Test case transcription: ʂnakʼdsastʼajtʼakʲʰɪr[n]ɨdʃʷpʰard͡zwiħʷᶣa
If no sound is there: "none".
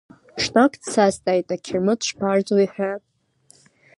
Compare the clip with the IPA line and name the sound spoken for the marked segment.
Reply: m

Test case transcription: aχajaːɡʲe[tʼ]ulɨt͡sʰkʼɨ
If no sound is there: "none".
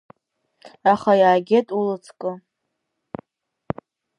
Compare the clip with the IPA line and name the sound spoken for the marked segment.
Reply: tʼ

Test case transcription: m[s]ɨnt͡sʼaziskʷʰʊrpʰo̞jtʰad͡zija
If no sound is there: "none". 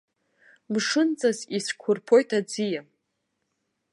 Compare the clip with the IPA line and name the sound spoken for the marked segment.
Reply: ʂ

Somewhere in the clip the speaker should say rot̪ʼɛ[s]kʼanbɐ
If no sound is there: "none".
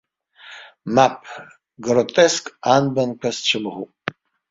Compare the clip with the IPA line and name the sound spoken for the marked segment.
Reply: s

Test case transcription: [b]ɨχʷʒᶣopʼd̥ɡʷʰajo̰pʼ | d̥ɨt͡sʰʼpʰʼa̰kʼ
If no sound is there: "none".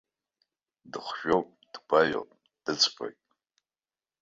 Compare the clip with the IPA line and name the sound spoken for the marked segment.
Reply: d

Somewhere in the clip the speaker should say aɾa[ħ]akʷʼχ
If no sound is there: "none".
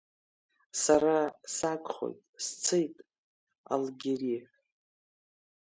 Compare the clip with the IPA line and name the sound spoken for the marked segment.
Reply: s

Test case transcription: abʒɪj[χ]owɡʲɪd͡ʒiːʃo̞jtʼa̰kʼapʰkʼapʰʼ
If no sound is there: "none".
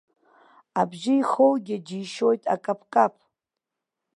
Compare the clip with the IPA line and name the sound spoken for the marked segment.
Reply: χ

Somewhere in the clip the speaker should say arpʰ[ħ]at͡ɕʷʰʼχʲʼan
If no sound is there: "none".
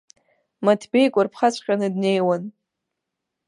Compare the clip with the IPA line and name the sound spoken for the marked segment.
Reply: χ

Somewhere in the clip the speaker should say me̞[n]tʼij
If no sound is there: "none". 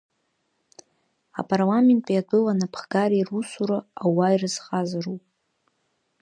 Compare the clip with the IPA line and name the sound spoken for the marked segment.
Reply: n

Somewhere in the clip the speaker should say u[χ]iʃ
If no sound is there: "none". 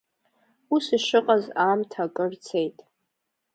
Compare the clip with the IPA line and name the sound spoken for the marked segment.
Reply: s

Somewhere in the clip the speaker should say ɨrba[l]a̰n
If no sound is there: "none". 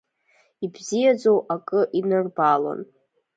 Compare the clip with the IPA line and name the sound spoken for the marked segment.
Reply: l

